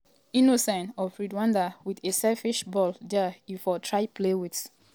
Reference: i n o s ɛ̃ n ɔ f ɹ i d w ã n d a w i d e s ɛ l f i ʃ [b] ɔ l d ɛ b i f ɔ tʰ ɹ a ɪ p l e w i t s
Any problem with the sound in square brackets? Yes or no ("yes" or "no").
no